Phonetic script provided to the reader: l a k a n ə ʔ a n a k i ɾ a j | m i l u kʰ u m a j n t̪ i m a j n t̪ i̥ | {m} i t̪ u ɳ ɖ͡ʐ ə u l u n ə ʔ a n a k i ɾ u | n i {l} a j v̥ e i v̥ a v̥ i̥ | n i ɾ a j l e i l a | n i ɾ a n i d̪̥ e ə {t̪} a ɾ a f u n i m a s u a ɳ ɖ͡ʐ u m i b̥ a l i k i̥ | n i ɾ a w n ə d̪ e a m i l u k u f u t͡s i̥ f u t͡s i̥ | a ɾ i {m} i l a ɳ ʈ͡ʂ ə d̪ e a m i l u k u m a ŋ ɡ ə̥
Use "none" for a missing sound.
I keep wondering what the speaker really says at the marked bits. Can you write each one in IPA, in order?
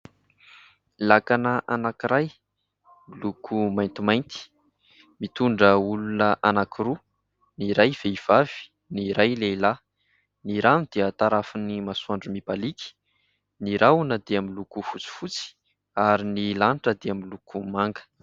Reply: m, ɾ, t̪, n

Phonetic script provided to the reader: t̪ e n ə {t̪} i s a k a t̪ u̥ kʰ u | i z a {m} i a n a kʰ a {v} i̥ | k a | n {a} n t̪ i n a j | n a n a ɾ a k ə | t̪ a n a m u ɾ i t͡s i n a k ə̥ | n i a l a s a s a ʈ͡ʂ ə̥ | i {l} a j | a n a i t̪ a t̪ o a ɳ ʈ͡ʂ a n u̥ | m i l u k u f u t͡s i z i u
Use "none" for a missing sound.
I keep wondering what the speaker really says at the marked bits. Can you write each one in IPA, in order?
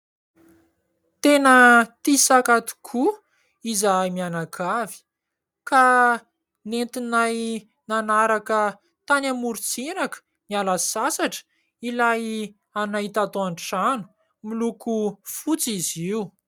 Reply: t̪, m, v, e, l

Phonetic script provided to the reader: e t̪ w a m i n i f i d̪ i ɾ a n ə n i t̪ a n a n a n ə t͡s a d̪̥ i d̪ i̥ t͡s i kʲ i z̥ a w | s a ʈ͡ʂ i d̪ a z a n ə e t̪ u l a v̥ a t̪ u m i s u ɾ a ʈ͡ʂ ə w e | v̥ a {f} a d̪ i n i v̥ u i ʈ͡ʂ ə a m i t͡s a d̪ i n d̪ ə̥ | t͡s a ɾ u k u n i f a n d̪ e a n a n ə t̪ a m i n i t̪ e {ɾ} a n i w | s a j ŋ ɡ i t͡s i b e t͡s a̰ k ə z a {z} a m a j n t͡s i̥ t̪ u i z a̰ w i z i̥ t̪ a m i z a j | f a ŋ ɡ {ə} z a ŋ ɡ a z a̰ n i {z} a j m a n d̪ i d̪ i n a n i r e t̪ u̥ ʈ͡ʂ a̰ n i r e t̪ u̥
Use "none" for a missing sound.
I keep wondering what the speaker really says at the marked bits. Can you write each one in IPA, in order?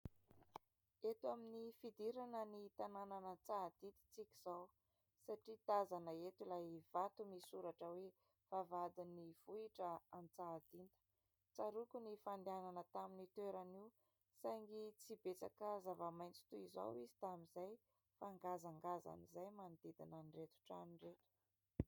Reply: v, ɾ, v, a, z

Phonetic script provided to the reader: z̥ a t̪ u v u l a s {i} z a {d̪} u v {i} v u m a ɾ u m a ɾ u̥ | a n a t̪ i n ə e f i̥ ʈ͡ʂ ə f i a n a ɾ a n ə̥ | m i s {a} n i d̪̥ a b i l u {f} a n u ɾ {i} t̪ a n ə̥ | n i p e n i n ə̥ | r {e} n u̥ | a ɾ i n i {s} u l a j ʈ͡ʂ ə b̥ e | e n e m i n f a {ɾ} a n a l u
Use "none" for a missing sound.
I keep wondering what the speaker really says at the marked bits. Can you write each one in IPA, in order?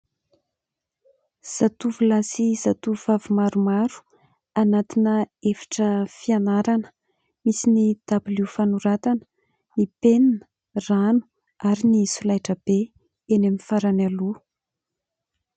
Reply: i, t̪, a, i, f, a, a, s, ɾ

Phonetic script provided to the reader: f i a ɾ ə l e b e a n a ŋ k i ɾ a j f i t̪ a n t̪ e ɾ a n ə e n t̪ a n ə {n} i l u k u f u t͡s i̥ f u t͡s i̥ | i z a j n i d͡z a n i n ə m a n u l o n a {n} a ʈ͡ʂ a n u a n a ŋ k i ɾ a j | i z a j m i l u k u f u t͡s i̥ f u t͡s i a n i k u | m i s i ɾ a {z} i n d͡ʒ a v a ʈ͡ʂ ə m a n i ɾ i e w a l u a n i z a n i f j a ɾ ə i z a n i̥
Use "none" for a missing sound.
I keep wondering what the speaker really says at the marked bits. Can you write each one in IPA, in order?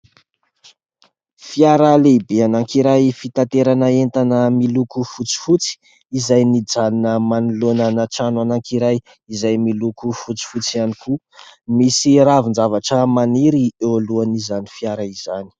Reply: m, n, v

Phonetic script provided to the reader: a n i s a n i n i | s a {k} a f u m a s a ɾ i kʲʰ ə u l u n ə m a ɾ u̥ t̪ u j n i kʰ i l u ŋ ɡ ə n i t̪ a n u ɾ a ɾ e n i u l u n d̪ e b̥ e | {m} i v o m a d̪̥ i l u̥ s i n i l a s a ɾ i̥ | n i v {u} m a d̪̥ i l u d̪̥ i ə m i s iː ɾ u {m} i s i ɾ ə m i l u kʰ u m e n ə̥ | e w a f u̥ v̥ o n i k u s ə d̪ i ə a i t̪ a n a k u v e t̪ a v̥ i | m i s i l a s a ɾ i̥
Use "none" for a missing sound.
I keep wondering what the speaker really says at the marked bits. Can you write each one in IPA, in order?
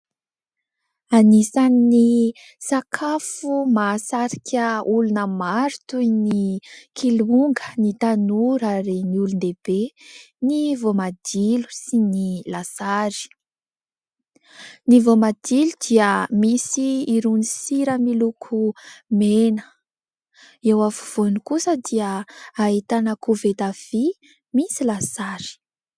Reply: kʰ, n, o, n

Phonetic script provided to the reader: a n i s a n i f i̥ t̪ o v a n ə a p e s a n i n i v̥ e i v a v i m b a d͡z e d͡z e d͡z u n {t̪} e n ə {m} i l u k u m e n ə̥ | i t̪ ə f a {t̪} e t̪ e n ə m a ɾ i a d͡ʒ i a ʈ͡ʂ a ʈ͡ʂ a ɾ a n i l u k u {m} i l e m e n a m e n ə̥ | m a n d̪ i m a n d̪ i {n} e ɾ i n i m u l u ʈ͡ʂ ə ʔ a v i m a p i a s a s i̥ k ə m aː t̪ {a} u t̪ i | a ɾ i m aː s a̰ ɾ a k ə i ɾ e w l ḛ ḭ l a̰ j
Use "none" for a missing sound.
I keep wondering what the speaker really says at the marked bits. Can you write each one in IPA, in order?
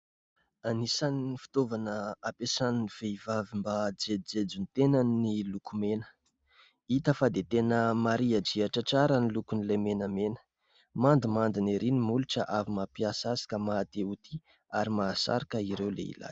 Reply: t̪, n, d̪, n, n, e

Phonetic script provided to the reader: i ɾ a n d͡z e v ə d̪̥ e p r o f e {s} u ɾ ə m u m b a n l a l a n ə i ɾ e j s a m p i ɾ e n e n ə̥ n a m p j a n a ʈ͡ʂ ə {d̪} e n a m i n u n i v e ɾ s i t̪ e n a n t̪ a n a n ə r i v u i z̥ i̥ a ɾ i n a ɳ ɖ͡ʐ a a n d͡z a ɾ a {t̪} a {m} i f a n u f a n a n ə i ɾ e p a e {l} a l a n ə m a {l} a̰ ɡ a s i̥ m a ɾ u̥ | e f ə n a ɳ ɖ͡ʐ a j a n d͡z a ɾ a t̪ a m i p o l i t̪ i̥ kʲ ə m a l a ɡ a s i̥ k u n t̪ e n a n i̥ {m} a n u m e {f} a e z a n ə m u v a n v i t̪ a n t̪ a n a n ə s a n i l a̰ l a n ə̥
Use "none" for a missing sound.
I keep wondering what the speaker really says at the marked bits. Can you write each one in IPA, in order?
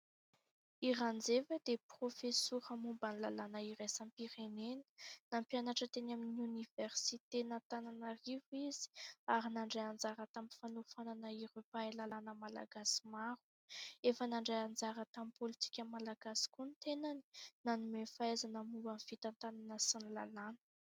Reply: s, t̪, t̪, m, l, l, n, f

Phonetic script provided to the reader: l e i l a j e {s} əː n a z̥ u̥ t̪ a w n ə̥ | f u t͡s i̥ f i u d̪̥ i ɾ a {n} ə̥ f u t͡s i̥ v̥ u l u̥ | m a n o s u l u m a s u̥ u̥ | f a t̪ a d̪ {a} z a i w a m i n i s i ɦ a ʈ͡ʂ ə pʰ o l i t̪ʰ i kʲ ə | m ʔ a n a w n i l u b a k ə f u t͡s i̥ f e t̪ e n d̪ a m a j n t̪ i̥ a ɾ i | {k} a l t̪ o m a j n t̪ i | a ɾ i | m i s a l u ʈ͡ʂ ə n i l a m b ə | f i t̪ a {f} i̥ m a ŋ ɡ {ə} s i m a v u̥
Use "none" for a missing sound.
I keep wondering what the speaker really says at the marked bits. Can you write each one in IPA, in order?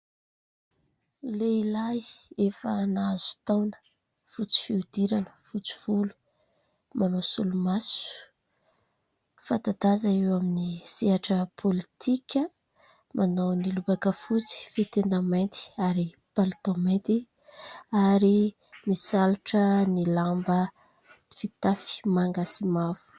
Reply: f, n, a, p, f, a

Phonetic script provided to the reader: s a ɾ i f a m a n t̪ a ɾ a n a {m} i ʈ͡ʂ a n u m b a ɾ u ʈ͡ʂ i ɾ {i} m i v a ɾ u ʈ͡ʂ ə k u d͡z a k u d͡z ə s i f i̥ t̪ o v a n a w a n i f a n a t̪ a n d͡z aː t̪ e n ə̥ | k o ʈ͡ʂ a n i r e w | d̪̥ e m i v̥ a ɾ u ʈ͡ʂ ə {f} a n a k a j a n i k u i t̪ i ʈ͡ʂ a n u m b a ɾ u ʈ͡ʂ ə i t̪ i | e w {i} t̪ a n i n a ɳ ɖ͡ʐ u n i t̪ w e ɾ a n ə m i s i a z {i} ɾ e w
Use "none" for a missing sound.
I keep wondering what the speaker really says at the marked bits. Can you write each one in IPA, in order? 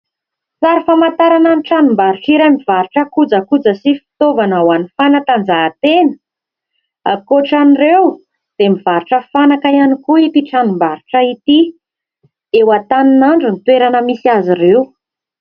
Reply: n, a, f, a, i

